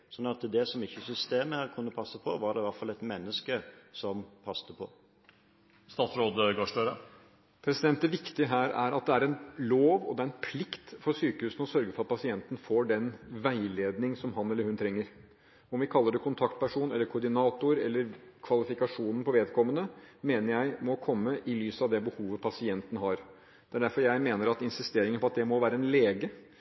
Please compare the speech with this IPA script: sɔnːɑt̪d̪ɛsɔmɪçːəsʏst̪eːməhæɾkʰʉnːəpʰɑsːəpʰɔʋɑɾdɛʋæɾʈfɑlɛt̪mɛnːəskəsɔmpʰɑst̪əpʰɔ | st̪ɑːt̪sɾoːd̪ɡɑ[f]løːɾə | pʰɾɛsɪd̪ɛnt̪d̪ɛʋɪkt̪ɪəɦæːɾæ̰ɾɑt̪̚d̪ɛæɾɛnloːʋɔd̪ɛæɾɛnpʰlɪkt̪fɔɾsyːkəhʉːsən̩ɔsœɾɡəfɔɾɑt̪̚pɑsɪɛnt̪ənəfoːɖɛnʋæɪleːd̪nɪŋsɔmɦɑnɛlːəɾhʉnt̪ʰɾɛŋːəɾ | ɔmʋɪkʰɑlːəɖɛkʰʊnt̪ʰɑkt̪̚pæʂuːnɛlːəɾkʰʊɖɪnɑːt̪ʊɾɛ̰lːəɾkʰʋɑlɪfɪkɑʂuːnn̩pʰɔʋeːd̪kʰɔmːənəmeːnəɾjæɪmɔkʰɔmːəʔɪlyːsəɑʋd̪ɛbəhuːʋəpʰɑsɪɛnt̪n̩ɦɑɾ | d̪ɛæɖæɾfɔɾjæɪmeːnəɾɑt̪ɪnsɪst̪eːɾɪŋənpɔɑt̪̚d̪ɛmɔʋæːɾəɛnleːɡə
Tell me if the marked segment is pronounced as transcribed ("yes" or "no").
no